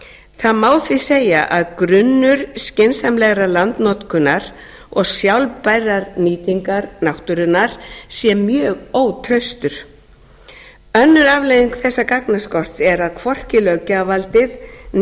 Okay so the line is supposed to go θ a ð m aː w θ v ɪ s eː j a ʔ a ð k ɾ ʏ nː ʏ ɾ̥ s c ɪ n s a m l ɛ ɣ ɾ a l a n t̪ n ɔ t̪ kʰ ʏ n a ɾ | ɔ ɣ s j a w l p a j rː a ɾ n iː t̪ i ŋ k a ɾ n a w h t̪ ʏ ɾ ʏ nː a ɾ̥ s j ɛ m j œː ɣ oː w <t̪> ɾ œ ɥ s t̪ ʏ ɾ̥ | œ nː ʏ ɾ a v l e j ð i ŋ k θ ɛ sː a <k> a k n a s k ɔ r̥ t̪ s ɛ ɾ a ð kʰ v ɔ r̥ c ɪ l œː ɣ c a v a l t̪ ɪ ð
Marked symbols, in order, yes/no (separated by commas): no, yes